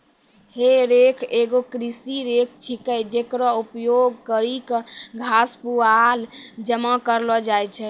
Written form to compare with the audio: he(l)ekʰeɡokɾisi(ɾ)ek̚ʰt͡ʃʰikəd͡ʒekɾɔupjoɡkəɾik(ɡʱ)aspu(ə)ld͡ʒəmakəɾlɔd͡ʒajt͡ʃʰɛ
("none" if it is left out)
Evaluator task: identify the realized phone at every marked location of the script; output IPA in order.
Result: ɾ, ɾ, ɡʱ, a

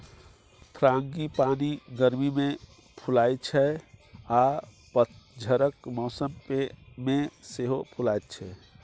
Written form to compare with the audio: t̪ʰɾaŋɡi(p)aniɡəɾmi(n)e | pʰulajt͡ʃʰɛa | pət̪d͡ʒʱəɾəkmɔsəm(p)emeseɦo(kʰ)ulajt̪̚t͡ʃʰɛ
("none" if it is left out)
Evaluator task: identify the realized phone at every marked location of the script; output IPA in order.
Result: p, m, p, pʰ

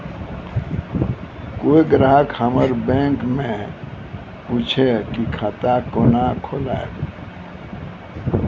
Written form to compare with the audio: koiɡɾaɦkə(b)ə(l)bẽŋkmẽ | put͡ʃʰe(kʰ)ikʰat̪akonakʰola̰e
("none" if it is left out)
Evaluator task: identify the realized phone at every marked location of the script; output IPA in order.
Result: m, ɾ, k

